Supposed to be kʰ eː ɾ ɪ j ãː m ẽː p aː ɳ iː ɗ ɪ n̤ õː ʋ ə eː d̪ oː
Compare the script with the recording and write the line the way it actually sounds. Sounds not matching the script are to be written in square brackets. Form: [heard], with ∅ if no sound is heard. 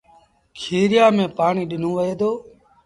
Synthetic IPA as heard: kʰ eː ɾ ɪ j [aː] m ẽː p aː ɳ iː ɗ ɪ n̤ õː ʋ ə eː d̪ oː